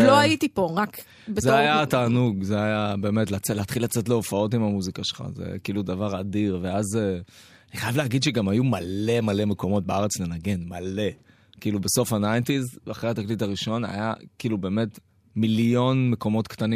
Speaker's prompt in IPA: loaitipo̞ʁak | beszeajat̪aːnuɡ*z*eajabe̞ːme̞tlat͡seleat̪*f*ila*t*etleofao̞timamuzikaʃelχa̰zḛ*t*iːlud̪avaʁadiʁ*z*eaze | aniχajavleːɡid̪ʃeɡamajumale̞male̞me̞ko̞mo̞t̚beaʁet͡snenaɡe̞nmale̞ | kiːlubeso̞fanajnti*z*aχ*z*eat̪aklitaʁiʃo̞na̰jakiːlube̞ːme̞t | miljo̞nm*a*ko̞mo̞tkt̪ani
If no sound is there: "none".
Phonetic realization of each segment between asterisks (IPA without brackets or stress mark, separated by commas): z, χ, t͡s, k, v, z, ʁ, e